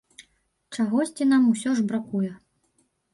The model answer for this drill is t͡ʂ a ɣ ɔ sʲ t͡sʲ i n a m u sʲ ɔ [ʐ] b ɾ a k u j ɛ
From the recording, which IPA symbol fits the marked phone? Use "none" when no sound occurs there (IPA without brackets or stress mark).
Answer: ʐ